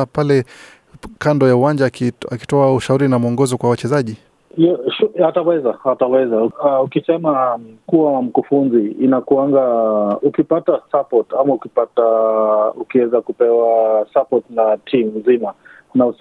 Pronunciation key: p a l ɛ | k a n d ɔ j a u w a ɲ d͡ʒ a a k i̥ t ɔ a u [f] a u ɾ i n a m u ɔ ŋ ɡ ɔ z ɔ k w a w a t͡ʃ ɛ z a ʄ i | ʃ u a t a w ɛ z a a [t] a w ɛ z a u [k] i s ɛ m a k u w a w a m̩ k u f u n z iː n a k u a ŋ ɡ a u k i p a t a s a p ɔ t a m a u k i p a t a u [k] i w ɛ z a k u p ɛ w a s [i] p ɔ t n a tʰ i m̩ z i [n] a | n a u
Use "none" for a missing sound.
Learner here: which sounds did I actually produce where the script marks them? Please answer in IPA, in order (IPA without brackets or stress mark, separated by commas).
ʃ, t, k, k, a, m